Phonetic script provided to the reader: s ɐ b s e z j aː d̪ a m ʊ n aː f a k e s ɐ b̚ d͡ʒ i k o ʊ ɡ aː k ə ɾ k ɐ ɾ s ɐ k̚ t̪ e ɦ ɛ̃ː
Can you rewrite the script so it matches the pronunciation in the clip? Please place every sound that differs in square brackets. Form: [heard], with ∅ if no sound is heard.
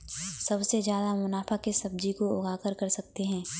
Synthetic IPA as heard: s ɐ b s e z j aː d̪ a m ʊ n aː f a k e s ɐ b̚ d͡ʒ i k o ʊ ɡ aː k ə ɾ k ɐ ɾ s ɐ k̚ t̪ e ɦ ɛ̃ː